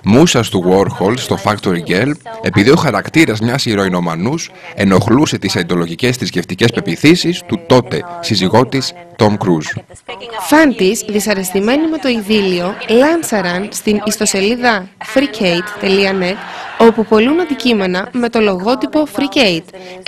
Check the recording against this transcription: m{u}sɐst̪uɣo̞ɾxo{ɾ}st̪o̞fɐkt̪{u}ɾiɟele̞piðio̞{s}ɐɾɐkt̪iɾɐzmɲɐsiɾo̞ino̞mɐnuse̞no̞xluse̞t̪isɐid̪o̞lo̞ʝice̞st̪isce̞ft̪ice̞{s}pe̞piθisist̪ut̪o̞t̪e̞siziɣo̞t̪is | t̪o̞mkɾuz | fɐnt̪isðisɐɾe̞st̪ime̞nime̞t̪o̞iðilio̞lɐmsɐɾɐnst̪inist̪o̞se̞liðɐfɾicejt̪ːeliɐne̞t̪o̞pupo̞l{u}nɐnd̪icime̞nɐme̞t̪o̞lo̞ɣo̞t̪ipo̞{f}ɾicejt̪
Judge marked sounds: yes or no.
yes, no, no, no, yes, yes, yes

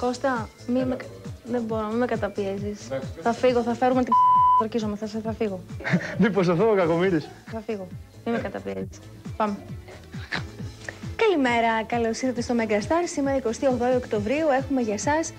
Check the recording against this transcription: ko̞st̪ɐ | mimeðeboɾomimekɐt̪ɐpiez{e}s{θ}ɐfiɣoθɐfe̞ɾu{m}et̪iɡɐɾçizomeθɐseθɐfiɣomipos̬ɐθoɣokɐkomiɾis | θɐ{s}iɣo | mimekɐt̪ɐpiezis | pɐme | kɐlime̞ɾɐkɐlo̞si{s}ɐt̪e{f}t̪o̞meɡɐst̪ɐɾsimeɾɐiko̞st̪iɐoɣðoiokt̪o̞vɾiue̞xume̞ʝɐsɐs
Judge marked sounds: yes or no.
no, yes, yes, no, no, no

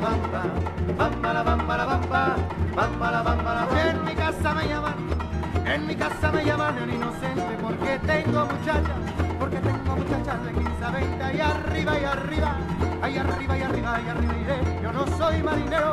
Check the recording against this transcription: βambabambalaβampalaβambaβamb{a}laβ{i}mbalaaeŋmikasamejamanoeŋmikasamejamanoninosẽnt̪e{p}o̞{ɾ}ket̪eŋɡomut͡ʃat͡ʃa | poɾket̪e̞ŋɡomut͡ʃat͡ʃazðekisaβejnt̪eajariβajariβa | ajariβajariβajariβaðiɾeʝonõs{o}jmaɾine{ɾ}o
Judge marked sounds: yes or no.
yes, no, yes, yes, yes, yes

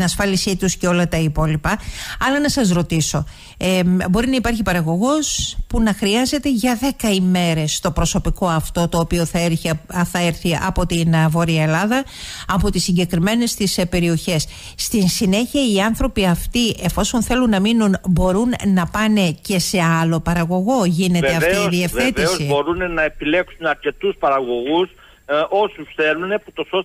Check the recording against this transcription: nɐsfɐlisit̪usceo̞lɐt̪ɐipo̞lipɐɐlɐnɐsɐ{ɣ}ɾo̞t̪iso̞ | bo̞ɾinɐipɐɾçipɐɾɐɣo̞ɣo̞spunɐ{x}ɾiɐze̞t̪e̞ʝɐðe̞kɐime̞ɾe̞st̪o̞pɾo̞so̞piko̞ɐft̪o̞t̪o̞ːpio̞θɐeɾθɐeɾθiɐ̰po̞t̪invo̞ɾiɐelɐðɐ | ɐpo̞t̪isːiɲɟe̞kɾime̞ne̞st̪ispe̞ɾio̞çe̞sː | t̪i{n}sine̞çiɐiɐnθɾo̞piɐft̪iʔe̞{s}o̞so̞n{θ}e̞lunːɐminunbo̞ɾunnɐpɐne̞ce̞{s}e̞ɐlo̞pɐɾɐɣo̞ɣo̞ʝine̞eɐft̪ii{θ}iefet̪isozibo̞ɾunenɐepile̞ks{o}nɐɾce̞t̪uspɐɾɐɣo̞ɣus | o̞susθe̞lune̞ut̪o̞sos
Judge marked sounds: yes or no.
no, yes, yes, no, yes, yes, no, no

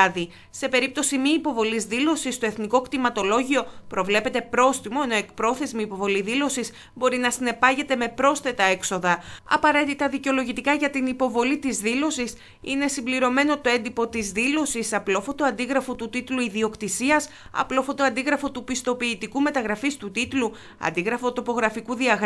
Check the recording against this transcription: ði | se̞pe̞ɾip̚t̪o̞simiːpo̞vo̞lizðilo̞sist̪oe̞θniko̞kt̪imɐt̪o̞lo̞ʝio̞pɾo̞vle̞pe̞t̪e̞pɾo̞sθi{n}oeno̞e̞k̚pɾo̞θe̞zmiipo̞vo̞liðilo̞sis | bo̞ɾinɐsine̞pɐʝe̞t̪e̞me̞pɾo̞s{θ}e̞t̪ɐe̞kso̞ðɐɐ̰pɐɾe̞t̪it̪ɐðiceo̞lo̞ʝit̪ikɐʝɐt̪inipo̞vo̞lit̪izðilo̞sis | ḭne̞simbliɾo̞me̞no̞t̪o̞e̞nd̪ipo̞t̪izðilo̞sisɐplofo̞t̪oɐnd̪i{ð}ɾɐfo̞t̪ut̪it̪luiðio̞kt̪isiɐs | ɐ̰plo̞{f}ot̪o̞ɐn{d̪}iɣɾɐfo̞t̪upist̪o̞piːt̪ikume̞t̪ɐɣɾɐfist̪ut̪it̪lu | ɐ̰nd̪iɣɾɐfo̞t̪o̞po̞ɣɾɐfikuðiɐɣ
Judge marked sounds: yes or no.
no, yes, no, yes, yes

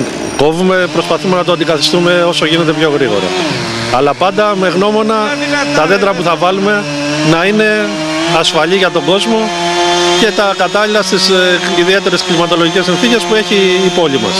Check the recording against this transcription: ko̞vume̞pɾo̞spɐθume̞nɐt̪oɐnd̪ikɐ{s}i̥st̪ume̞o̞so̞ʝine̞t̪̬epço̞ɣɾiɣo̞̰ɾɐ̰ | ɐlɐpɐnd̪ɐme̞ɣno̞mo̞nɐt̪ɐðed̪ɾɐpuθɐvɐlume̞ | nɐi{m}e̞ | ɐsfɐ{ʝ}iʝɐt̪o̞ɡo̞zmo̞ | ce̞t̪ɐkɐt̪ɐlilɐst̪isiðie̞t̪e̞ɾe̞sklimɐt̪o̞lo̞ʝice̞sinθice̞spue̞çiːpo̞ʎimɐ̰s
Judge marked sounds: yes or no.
no, no, no

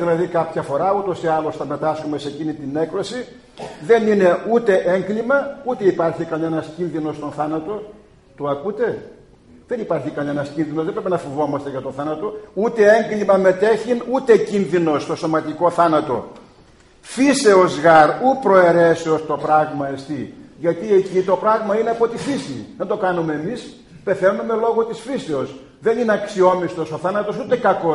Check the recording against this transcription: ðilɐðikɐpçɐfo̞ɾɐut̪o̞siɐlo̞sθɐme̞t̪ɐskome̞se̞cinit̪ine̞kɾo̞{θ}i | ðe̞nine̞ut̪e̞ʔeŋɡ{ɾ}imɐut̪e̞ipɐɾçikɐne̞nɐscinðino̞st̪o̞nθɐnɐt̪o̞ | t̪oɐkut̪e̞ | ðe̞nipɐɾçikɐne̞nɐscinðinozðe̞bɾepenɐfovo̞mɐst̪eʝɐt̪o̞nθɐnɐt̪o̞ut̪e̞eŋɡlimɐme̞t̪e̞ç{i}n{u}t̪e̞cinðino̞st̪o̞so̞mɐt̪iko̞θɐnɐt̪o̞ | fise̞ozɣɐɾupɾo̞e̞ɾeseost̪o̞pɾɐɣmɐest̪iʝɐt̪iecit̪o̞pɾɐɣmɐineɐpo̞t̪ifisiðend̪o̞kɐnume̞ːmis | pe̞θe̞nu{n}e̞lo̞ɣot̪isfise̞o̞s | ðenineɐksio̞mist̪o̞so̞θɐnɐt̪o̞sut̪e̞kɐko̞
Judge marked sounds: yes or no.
no, no, yes, yes, no

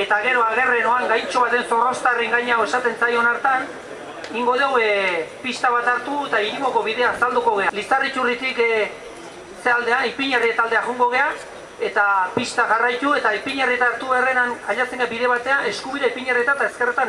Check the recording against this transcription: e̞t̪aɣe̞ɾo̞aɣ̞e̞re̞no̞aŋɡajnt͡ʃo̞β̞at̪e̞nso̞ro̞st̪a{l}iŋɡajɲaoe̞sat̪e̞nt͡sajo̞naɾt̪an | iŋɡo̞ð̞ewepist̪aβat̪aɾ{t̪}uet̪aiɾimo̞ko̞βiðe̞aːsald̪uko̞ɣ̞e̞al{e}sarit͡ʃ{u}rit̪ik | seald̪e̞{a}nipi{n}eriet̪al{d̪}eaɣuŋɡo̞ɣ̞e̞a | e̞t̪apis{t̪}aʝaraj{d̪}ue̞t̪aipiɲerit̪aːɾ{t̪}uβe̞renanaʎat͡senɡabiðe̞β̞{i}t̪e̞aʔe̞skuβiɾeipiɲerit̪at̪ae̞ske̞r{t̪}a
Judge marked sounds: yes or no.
no, yes, no, yes, yes, no, yes, yes, no, yes, no, yes

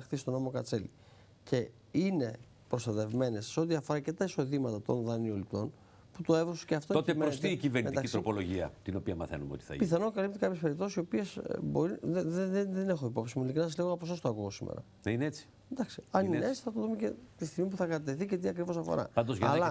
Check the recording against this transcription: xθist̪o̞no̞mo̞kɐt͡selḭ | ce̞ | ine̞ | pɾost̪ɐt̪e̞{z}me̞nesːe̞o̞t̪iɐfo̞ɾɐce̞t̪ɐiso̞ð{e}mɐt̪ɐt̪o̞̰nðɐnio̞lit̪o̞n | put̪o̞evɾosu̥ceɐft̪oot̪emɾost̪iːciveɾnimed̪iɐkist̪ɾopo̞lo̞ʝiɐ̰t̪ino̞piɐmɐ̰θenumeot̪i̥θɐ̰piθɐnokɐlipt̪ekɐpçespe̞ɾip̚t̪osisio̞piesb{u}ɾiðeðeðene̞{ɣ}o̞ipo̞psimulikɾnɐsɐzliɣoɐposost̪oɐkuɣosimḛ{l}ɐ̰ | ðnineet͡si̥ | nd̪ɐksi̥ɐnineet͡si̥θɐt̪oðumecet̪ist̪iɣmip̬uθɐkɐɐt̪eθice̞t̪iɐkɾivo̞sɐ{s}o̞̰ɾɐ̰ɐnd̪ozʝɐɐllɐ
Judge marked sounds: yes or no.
no, no, no, no, no, no

